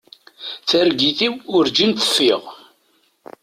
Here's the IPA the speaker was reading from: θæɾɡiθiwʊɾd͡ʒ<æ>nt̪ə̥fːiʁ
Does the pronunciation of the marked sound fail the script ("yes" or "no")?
yes